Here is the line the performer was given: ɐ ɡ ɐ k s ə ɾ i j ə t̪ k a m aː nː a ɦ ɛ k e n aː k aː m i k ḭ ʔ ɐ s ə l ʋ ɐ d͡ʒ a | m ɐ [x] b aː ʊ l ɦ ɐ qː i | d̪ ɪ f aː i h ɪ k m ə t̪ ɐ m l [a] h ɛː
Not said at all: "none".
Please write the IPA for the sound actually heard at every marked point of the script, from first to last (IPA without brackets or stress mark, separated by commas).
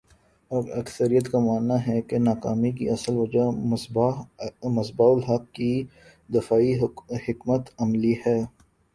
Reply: s, i